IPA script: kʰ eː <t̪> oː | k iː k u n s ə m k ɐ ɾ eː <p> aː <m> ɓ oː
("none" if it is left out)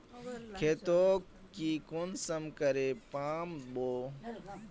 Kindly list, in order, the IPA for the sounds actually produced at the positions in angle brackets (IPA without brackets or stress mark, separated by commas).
t̪, p, m